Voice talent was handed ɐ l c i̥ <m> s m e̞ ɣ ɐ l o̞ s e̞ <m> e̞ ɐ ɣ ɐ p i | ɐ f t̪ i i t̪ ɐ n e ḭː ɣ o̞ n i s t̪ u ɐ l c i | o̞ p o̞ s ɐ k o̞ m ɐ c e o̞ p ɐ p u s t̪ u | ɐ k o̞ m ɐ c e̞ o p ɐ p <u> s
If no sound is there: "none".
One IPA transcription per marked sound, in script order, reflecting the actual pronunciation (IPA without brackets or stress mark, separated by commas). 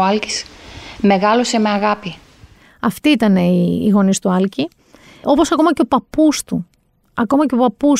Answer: none, m, u